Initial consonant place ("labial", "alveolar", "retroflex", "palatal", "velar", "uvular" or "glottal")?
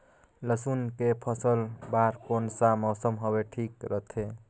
alveolar